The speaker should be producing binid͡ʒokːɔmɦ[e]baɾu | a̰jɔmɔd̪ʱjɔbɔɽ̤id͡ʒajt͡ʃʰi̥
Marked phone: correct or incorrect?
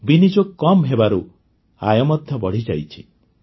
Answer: correct